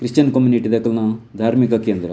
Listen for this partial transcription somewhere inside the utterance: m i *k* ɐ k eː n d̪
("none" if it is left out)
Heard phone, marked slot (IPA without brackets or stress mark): k